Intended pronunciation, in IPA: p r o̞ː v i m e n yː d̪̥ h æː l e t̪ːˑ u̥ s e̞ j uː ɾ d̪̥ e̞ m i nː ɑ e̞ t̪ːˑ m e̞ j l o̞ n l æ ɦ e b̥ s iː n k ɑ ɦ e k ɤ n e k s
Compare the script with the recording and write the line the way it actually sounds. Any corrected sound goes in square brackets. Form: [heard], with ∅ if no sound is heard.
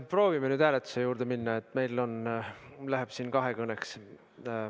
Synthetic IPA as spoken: p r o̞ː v i m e n yː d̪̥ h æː l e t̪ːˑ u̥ s e̞ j uː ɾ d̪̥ e̞ m i nː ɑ e̞ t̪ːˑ m e̞ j l o̞ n l æ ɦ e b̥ s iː n k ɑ ɦ e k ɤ n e k s

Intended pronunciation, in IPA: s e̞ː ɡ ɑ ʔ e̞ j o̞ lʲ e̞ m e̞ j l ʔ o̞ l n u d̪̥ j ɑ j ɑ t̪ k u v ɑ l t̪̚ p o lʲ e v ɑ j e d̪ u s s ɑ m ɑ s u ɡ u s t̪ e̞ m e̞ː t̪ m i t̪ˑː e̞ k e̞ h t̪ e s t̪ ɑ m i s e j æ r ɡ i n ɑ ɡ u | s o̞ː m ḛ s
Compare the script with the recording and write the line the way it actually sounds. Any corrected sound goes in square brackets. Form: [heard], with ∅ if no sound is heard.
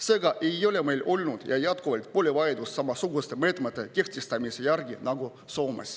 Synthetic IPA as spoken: s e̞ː ɡ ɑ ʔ e̞ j o̞ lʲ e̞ m e̞ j l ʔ o̞ l n u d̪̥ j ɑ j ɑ t̪ k u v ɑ l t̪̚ p o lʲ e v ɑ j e d̪ u s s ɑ m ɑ s u ɡ u s t̪ e̞ m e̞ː t̪ m [e] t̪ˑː e̞ k e̞ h t̪ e s t̪ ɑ m i s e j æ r ɡ i n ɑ ɡ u | s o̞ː m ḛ s

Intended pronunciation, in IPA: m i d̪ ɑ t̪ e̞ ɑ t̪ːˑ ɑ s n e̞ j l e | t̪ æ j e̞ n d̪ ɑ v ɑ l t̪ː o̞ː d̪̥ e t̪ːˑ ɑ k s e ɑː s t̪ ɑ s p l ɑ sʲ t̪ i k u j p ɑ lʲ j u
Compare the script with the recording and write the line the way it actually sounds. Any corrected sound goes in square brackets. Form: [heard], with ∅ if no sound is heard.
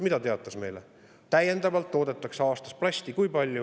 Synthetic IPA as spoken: m i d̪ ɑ t̪ e̞ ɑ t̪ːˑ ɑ s [m] e̞ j l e | t̪ æ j e̞ n d̪ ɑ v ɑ l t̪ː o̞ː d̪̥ e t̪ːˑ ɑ k s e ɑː s t̪ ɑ s p l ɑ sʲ t̪ i k u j p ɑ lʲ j u

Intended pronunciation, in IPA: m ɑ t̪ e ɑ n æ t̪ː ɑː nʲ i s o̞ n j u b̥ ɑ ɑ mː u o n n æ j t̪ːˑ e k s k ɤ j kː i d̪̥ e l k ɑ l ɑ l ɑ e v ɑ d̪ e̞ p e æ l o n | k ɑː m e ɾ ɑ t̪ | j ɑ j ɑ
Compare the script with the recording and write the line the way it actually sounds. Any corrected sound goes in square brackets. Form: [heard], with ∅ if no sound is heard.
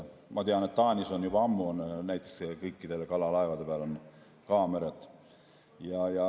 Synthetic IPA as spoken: m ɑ t̪ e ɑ n [e] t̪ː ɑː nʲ i s o̞ n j u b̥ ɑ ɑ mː u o n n æ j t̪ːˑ e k s k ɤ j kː i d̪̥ e l k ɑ l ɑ l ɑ e v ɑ d̪ e̞ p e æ l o n | k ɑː m e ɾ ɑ t̪ | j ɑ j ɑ

